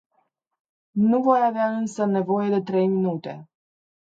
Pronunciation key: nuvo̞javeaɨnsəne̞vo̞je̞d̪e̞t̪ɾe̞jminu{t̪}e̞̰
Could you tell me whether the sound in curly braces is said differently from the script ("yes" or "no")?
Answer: no